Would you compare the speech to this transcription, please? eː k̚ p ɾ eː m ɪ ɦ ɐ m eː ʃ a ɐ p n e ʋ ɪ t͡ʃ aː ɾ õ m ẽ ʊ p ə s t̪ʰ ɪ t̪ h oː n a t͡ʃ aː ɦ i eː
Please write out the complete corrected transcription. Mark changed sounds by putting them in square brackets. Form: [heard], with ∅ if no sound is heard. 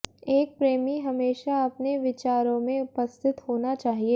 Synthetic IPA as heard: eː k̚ p ɾ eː m [i] ɦ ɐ m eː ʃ a ɐ p n e ʋ ɪ t͡ʃ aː ɾ õ m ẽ ʊ p ə s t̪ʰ ɪ t̪ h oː n a t͡ʃ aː ɦ i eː